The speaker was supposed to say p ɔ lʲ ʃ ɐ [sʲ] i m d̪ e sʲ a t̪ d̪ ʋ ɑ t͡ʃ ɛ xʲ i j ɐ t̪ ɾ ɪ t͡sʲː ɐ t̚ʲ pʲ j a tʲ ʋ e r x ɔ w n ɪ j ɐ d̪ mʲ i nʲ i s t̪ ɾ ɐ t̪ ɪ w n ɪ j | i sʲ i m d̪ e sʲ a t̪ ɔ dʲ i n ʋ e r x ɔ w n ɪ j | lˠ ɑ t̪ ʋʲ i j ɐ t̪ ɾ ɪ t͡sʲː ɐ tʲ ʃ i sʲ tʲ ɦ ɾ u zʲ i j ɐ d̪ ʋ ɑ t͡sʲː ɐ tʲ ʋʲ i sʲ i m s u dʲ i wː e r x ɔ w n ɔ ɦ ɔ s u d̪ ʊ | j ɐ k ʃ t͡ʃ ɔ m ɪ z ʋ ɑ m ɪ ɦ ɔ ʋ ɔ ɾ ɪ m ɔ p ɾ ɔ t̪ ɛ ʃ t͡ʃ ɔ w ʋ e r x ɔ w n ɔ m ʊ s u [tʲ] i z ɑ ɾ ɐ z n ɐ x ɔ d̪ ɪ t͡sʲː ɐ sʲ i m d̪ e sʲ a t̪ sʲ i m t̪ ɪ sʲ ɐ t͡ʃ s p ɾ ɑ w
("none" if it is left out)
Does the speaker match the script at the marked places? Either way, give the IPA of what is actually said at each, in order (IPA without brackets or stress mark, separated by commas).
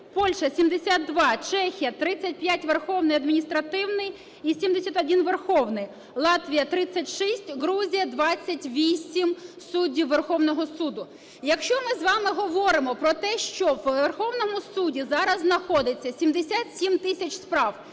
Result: sʲ, dʲ